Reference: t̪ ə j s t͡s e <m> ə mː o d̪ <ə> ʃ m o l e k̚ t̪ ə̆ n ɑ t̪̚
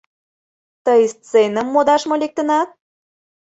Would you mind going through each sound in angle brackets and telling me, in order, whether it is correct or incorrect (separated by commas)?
incorrect, incorrect